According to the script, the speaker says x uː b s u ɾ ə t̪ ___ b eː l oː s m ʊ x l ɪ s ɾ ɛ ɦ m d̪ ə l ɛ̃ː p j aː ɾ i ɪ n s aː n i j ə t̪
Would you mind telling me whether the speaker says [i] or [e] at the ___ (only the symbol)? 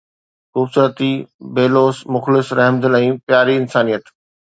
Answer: i